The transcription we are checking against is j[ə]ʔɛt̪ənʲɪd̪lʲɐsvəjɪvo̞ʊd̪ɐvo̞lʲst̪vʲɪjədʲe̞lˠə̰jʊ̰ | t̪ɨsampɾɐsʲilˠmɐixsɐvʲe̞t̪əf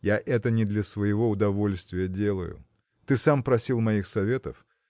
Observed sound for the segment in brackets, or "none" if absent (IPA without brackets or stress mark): a